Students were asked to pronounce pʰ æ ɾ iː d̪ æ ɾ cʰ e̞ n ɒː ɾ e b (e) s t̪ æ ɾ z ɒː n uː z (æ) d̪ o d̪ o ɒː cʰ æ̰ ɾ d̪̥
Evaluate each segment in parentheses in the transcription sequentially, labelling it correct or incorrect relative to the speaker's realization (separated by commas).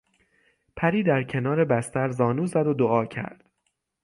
incorrect, correct